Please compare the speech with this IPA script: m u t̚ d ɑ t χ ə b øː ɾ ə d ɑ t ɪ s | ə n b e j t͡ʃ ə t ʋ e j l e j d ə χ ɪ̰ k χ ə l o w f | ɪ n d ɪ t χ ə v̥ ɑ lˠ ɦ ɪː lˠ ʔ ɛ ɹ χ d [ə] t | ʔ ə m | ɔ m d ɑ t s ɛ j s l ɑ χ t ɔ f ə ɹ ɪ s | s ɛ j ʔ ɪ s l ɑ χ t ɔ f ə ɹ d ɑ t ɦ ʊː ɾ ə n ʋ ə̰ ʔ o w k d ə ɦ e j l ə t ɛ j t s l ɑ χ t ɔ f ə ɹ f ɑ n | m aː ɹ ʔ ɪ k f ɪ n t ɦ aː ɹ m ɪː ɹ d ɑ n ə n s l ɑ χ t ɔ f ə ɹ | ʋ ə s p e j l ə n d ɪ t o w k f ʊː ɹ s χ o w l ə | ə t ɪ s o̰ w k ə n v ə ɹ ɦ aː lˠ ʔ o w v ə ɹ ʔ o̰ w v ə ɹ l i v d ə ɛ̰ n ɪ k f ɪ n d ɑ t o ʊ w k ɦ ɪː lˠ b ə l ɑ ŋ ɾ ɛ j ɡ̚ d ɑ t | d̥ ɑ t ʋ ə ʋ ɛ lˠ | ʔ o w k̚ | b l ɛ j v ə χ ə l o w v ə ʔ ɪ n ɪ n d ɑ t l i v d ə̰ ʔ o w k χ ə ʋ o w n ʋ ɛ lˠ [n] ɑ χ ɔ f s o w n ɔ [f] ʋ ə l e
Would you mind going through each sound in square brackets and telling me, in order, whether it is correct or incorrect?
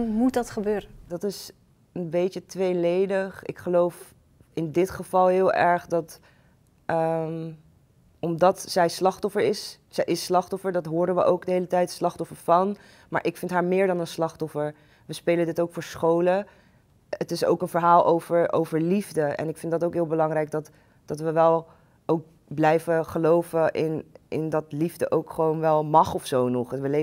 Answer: incorrect, incorrect, incorrect

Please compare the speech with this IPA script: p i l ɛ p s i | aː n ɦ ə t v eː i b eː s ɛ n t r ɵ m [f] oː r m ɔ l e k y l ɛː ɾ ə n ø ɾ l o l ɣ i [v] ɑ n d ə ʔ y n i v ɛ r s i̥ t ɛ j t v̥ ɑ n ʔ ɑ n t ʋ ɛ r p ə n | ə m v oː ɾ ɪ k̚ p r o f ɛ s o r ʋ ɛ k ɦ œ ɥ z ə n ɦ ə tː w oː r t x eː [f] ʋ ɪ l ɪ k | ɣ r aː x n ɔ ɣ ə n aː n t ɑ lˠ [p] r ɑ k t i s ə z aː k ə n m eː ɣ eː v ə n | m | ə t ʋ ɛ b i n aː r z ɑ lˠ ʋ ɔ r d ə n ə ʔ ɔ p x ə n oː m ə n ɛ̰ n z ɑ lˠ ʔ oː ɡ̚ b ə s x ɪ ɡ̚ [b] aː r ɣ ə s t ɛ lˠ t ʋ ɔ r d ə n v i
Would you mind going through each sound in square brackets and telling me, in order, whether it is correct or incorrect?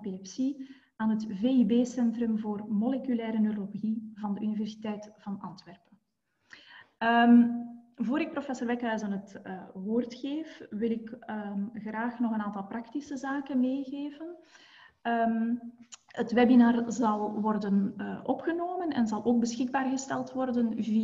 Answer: incorrect, correct, correct, correct, correct

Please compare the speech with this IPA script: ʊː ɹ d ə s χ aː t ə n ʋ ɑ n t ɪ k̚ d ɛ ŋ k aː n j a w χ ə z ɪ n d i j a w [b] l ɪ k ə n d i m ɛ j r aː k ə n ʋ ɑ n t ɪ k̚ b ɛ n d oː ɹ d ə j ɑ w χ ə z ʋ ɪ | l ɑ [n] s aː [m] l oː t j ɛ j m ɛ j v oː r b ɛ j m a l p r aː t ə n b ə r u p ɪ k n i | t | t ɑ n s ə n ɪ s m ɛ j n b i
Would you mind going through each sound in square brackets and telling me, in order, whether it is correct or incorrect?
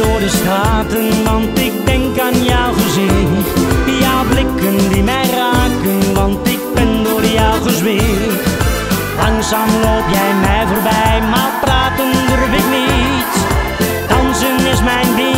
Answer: correct, incorrect, correct

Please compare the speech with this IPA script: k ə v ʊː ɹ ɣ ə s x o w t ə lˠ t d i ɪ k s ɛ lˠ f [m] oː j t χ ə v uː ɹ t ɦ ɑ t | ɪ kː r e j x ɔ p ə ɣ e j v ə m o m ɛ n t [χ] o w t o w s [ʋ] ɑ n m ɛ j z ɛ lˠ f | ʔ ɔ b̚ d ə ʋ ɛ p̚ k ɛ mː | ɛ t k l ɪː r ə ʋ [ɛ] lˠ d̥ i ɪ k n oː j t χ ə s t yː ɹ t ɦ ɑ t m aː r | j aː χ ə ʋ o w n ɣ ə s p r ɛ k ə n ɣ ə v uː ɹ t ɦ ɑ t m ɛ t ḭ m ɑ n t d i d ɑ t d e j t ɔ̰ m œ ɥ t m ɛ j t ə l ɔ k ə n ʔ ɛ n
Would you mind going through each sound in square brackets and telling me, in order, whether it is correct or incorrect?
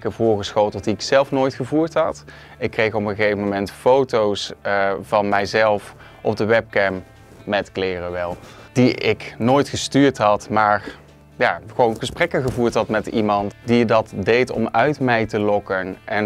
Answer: incorrect, incorrect, incorrect, correct

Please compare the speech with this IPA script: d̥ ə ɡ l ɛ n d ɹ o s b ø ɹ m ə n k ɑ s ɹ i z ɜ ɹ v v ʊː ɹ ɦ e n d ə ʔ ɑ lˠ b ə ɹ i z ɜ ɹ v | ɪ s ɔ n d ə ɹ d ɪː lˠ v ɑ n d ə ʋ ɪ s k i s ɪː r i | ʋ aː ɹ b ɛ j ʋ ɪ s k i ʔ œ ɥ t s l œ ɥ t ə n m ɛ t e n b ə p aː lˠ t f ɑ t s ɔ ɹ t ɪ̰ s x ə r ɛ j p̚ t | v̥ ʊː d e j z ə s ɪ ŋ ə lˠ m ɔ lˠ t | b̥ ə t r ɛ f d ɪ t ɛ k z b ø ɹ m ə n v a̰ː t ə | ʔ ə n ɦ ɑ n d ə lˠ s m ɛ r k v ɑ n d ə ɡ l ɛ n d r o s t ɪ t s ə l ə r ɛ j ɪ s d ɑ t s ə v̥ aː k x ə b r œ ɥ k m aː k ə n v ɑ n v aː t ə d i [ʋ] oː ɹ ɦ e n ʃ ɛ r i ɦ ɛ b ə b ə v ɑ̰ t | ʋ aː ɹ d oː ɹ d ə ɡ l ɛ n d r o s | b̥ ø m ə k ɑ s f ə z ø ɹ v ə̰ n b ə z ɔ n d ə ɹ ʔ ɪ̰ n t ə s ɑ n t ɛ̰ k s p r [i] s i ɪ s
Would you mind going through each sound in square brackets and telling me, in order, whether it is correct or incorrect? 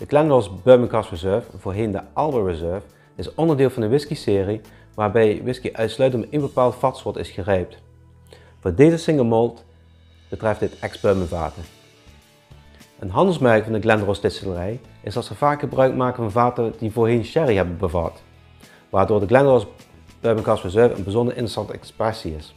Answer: incorrect, incorrect

